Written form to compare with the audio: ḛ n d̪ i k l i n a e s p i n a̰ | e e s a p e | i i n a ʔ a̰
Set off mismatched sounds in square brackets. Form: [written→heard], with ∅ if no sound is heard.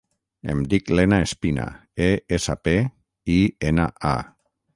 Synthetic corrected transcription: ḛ [n→m] d̪ i k l [i→e] n a e s p i n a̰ | e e s a p e | i [i→e] n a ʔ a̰